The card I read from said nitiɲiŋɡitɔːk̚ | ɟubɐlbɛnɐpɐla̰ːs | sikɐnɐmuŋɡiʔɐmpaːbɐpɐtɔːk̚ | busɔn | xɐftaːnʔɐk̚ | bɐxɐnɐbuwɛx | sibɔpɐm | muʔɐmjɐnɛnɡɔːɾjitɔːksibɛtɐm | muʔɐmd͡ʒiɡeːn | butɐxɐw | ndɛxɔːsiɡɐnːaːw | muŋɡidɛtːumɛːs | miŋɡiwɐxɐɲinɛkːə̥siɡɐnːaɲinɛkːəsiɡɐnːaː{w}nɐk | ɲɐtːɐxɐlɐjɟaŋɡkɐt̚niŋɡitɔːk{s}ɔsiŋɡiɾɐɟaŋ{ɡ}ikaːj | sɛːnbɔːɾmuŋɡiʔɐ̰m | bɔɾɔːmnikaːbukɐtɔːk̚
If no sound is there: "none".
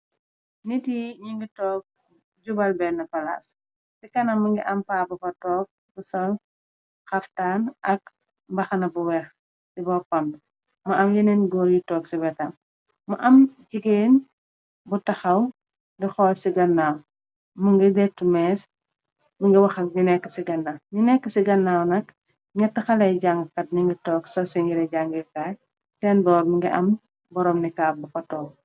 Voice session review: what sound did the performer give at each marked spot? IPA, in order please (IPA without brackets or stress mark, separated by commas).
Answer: w, s, ɡ